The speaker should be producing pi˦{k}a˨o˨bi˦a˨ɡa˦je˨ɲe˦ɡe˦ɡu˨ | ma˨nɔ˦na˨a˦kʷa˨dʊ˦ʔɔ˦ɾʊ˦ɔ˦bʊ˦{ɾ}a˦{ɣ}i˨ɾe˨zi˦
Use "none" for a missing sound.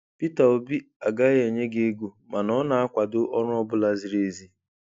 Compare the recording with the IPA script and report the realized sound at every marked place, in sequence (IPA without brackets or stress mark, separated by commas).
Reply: t, l, z